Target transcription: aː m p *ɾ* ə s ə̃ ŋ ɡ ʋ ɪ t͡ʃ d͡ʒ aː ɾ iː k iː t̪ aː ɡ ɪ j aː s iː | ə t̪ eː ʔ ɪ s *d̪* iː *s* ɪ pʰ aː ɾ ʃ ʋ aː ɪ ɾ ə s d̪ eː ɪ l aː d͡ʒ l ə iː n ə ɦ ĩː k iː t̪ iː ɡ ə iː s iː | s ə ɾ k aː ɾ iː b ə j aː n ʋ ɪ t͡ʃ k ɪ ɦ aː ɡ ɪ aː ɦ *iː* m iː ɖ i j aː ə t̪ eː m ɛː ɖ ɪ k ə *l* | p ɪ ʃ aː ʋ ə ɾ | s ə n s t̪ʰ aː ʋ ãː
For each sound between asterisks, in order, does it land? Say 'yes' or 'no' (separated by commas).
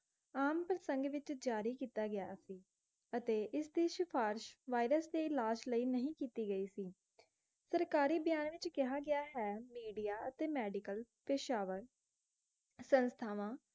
yes, yes, no, no, yes